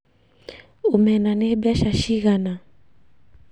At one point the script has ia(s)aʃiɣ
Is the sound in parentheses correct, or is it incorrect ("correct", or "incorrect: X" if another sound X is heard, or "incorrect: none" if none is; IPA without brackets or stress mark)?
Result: incorrect: ʃ